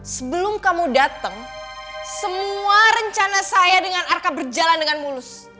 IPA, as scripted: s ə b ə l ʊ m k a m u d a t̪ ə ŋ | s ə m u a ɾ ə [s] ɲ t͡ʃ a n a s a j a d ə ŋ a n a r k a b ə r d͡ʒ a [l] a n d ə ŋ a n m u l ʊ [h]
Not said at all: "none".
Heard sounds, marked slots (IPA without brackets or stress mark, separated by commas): none, l, s